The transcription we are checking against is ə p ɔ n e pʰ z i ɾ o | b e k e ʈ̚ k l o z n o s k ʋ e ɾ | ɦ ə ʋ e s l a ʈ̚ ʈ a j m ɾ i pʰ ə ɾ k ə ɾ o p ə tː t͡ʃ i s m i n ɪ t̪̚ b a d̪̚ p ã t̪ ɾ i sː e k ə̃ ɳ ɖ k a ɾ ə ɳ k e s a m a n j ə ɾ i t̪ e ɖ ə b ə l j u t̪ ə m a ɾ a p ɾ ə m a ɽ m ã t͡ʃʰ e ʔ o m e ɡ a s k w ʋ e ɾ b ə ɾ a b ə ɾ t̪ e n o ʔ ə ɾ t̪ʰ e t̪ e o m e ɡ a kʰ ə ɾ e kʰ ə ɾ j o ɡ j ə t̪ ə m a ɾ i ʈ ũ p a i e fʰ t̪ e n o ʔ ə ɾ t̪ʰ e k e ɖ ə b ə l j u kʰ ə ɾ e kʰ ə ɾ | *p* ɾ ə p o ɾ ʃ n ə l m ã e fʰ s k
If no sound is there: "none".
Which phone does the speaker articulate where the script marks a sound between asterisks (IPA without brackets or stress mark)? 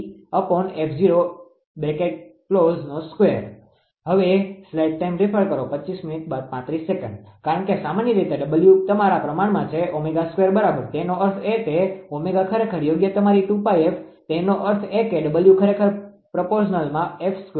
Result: p